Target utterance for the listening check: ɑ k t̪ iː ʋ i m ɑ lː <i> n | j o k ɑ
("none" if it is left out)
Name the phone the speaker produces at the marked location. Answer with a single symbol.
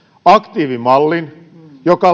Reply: i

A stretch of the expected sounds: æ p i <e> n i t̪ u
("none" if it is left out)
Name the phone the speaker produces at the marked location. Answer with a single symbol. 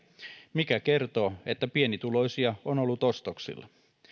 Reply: e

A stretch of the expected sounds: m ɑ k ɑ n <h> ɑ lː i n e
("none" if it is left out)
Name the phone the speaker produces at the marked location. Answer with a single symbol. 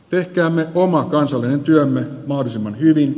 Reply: s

